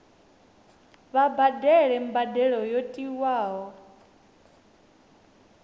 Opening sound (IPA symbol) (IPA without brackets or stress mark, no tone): β